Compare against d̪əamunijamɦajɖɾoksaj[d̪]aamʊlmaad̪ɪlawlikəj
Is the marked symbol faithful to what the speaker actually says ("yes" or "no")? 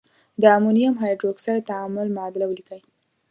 no